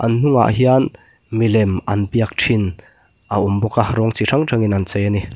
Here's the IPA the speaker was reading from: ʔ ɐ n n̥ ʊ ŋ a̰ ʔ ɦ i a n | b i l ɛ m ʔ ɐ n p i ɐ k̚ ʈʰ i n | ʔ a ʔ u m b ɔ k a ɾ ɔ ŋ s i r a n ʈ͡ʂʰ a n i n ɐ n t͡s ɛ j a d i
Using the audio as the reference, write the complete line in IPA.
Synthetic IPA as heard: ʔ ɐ n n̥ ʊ ŋ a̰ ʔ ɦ i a n | m i l ɛ m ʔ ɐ n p i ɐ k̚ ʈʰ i n | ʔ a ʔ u m b ɔ k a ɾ ɔ ŋ t͡s i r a ŋ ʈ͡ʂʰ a ŋ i n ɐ n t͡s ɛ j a n i